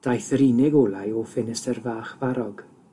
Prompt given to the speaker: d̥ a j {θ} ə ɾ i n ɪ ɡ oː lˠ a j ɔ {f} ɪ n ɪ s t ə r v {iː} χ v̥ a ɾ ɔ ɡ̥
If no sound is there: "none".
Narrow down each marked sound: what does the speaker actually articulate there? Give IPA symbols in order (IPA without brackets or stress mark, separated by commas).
θ, f, aː